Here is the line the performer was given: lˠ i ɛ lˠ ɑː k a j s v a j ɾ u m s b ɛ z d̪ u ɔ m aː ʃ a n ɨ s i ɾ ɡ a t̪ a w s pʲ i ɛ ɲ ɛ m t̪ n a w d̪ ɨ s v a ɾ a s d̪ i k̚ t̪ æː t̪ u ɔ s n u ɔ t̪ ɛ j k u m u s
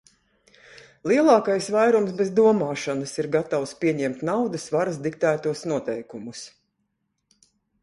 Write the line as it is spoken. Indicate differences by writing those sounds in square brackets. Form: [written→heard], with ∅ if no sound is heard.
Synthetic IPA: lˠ i ɛ lˠ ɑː k a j s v a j ɾ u m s b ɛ z d̪ u ɔ m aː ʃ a n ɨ s i ɾ ɡ a t̪ a w s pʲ i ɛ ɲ ɛ m t̪ n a w d̪ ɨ s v a ɾ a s d̪ i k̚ t̪ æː t̪ u ɔ s n u ɔ t̪ ɛ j k u m u s